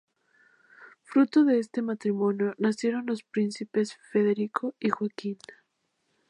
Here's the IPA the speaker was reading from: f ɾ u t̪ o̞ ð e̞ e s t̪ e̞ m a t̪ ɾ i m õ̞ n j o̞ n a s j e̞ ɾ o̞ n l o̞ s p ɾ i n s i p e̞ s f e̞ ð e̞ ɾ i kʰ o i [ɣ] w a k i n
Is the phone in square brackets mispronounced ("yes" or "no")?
yes